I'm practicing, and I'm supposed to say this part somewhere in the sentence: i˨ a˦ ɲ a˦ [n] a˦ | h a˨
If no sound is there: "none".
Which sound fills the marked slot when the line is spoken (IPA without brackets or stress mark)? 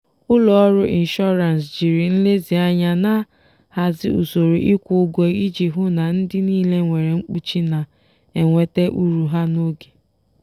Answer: n